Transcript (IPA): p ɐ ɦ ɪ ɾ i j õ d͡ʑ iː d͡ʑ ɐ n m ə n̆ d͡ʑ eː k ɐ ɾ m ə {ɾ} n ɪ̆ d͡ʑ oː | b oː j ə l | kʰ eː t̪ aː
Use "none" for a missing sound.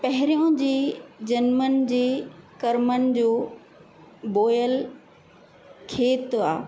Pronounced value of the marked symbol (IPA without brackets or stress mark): none